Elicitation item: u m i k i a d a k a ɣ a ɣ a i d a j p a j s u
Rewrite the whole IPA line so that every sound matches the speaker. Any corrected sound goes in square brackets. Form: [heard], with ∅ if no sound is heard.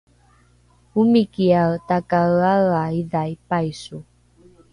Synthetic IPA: u m i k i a [t] a k a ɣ a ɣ a i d a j p a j s u